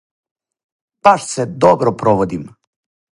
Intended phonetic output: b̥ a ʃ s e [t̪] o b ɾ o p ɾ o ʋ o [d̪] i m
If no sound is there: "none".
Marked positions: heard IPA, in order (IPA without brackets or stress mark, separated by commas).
d̪, d̪